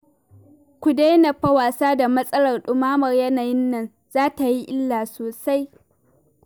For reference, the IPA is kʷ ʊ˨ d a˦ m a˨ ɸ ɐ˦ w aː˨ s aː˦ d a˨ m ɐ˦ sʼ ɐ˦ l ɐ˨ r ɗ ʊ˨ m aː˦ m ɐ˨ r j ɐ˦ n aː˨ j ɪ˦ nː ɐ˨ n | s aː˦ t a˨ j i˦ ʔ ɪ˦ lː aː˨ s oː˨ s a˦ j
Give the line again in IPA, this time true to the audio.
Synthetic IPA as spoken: kʷ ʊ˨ d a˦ n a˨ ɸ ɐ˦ w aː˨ s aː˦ d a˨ m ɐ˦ sʼ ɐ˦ l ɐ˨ r ɗ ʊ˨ m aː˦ m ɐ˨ r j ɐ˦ n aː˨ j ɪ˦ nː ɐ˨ n | z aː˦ t a˨ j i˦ ʔ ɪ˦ lː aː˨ s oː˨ s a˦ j